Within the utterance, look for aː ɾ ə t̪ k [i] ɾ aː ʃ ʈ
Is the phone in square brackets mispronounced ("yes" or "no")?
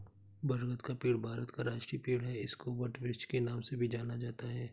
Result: yes